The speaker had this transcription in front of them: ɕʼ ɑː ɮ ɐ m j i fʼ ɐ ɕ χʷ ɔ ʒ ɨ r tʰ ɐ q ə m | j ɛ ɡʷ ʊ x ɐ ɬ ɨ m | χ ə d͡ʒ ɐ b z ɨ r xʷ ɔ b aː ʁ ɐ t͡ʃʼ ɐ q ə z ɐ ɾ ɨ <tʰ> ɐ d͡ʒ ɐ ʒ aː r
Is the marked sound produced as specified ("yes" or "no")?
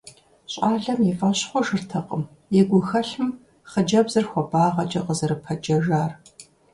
no